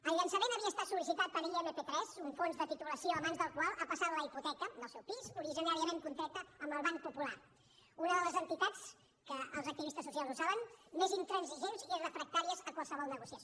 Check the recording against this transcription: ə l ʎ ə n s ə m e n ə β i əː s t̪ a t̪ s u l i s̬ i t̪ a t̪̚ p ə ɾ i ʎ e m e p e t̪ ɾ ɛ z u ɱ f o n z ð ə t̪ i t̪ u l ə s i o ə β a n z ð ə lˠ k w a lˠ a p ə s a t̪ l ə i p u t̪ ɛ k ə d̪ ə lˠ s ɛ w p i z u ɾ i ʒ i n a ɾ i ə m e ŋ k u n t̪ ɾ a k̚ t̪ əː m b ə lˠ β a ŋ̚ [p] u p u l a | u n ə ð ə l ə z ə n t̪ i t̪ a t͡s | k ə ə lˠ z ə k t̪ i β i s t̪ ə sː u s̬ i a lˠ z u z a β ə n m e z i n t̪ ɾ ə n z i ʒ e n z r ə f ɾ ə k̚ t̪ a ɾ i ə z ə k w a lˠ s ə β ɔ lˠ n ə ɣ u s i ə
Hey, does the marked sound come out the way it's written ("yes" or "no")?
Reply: yes